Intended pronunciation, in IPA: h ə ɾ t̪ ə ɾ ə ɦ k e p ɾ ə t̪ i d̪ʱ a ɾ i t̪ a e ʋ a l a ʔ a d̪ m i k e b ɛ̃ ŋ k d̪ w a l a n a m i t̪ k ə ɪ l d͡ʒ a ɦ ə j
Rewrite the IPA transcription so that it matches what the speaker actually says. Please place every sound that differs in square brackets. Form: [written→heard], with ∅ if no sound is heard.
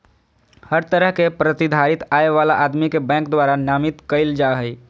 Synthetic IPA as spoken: h ə ɾ t̪ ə ɾ ə ɦ k e p ɾ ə t̪ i d̪ʱ a ɾ i t̪ a e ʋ a l a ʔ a d̪ m i k e b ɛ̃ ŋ k d̪ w a [l→ɾ] a n a m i t̪ k ə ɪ l d͡ʒ a ɦ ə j

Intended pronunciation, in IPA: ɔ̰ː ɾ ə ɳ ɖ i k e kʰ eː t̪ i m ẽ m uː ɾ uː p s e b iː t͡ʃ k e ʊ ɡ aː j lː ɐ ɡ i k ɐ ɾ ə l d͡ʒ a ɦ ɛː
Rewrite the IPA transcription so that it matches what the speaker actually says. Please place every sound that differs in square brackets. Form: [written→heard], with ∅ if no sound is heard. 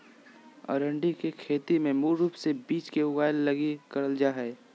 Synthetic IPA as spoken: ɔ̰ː ɾ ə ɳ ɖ i k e kʰ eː t̪ i m ẽ m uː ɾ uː p s e b iː t͡ʃ k e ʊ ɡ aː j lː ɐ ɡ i k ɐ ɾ ə l d͡ʒ a ɦ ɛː

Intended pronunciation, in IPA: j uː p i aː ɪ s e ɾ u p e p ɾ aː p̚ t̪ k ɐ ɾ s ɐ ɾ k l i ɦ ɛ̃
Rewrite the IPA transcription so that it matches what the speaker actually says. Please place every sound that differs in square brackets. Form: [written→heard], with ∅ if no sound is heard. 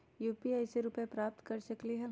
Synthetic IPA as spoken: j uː p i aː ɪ s e ɾ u p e p ɾ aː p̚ t̪ k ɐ ɾ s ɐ [ɾ→∅] k l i ɦ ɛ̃

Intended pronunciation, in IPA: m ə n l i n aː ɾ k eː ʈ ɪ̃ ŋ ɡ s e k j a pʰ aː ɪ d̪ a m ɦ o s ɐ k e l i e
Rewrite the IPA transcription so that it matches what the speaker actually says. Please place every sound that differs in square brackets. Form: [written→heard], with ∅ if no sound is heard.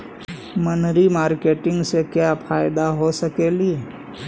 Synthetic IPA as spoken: m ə n [l→ɾ] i [n→m] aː ɾ k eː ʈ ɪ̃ ŋ ɡ s e k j a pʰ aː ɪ d̪ a [m→∅] ɦ o s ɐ k e l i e

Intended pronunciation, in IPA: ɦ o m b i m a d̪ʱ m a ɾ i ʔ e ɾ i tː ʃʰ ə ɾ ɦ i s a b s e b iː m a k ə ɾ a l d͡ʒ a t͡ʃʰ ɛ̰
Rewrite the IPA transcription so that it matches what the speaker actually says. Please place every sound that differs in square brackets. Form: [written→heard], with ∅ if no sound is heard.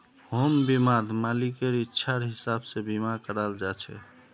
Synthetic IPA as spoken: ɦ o m b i m a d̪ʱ m a [ɾ→l] i [ʔ→k] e ɾ i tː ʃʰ [ə→a] ɾ ɦ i s a b s e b [iː→i] m a k ə ɾ a l d͡ʒ a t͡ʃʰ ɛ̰

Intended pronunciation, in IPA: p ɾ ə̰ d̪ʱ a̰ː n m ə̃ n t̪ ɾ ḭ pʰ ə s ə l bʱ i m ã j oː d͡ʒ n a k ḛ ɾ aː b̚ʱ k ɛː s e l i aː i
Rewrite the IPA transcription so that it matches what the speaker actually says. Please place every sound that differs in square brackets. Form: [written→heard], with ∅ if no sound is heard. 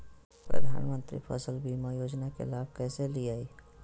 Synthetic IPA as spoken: p ɾ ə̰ d̪ʱ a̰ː n m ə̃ n t̪ ɾ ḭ pʰ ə s ə l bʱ i m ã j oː d͡ʒ n a k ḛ [ɾ→l] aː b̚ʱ k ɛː s e l i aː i

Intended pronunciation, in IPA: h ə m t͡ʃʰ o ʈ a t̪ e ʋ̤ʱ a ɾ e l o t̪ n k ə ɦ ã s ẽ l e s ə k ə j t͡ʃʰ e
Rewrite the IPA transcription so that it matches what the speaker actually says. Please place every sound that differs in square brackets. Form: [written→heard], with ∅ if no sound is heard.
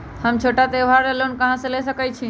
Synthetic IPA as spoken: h ə m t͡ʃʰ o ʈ a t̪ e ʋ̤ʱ a ɾ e l o [t̪→∅] n k ə ɦ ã s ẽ l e s ə k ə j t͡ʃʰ [e→i]

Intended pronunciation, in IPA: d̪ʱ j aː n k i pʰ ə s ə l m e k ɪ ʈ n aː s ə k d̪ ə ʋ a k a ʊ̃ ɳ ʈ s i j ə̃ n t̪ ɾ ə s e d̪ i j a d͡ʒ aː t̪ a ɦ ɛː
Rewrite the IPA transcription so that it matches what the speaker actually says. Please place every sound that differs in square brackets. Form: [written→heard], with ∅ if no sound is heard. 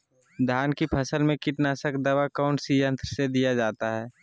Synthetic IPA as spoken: d̪ʱ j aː n k i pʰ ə s ə l m [e→ẽ] k ɪ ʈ n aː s ə k d̪ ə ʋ a k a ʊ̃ ɳ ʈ s i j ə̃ n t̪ ɾ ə s e d̪ i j a d͡ʒ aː t̪ a ɦ ɛː

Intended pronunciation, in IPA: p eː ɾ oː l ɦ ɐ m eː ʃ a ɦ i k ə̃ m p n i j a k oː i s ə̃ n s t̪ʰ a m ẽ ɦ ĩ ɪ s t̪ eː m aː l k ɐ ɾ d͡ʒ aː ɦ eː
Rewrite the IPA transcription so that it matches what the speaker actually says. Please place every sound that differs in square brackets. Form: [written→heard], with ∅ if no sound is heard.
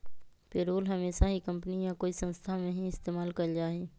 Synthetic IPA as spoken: p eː ɾ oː l ɦ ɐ m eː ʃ a ɦ i k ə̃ m p n i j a k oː i s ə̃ n s t̪ʰ a m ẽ ɦ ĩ ɪ s t̪ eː m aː l k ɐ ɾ d͡ʒ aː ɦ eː

